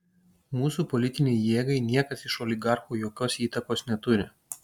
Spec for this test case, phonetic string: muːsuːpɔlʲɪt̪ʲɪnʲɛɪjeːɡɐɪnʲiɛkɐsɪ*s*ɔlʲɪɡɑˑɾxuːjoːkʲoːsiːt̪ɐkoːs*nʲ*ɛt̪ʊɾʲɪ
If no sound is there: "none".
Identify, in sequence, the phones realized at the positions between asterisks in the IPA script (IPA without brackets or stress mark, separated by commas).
ʃ, nʲ